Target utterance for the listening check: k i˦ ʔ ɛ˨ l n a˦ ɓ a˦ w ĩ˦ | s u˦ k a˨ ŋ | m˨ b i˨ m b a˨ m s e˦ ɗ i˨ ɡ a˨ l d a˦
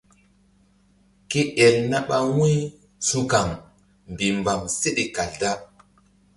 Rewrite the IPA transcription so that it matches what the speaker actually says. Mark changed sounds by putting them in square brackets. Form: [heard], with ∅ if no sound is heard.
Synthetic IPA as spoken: k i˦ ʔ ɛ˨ l n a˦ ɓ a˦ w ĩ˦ | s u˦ k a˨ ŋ | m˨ b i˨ m b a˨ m s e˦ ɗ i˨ [k] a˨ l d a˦